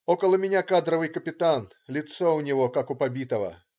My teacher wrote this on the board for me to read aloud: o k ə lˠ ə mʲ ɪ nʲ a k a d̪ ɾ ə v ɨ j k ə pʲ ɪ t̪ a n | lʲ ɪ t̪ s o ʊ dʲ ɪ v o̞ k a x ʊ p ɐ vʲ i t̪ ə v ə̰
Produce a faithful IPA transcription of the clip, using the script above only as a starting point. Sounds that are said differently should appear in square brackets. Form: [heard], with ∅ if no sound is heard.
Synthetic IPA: o k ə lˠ ə mʲ ɪ nʲ a k a d̪ ɾ ə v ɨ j k ə pʲ ɪ t̪ a n | lʲ ɪ t̪ s o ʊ [nʲ] ɪ v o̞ k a [k] ʊ p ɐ [bʲ] i t̪ ə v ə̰